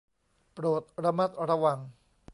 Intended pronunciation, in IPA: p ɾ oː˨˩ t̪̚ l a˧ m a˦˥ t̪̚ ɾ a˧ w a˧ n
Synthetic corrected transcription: p ɾ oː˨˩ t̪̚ ɾ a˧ m a˦˥ t̪̚ ɾ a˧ w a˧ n